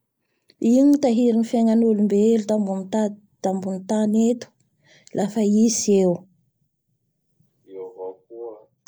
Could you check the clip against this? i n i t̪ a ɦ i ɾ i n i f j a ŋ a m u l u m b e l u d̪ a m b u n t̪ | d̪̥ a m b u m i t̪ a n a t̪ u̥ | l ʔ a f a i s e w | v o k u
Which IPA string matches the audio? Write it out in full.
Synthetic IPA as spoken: i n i t̪ a ɦ i ɾ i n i f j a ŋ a n u l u m b e l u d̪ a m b u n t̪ | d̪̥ a m b u n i t̪ a n e t̪ u̥ | l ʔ a f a i s e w | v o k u